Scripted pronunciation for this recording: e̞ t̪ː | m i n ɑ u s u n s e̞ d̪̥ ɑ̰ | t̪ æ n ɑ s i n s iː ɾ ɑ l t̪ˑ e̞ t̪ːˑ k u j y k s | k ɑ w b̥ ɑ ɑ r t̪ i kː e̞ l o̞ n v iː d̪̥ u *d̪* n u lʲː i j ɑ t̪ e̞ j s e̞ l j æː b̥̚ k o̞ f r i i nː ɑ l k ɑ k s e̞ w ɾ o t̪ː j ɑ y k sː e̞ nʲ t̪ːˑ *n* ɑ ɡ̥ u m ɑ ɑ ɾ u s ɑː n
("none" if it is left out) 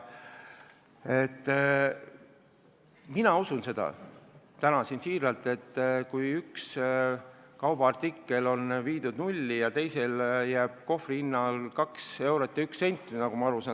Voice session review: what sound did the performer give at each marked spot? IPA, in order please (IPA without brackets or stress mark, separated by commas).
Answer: d̪, n